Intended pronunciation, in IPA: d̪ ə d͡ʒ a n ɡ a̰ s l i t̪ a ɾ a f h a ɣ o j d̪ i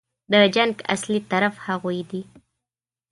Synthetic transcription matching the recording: d̪ ə d͡ʒ a ŋ ɡ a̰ s l i t̪ a ɾ a f h a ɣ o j d̪ i